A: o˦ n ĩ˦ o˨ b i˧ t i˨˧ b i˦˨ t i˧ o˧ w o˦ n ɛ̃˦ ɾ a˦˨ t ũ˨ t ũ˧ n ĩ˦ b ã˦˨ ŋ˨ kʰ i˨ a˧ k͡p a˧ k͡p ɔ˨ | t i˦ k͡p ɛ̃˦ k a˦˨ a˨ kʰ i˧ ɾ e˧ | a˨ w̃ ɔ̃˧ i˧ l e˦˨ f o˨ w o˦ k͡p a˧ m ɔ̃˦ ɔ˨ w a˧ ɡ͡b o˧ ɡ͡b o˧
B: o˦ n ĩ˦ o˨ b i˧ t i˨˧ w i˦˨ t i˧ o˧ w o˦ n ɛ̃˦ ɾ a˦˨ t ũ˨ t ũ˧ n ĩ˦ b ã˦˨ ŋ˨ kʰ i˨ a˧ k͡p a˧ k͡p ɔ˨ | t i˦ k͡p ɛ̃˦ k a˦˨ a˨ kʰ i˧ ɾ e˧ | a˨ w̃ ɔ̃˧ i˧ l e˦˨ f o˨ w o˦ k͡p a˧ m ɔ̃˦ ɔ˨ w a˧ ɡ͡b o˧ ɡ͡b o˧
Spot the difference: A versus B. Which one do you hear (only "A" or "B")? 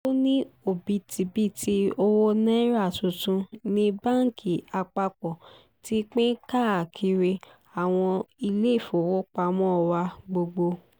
A